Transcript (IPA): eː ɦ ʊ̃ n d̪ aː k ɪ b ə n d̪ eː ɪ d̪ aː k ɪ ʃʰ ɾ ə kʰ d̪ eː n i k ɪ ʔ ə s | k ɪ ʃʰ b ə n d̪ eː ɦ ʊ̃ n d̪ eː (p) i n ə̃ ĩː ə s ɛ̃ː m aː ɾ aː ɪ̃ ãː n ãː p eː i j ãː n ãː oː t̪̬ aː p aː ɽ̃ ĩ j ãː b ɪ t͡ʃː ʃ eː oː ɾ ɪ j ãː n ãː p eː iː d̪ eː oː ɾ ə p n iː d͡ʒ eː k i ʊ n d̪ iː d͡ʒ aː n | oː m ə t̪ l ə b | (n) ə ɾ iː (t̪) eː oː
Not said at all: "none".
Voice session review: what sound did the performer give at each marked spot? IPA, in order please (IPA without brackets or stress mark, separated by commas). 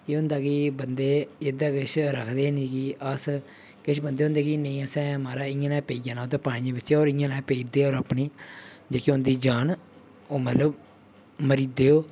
k, m, d̪